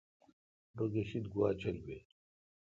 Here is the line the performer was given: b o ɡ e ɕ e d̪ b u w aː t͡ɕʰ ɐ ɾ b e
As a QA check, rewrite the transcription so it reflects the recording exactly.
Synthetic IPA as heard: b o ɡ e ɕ i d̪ ɡ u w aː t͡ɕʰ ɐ l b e